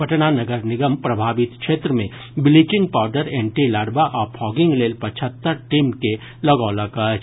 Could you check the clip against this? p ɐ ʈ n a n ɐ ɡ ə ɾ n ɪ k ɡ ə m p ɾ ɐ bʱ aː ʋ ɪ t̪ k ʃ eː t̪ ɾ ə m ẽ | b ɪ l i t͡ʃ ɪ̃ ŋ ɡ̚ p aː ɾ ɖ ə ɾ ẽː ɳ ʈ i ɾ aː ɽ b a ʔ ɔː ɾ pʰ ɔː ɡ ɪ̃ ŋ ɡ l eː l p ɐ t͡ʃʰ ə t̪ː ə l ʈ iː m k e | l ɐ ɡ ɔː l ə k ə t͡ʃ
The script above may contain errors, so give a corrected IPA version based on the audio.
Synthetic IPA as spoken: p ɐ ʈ n a n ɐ ɡ ə ɾ n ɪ ɡ ə m p ɾ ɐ bʱ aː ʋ ɪ t̪ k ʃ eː t̪ ɾ ə m ẽ | b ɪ l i t͡ʃ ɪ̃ ŋ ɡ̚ p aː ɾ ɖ ə ɾ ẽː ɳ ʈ i l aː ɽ b a ʔ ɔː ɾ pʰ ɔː ɡ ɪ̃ ŋ ɡ l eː l p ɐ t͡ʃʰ ə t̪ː ə ɾ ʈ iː m k e | l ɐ ɡ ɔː l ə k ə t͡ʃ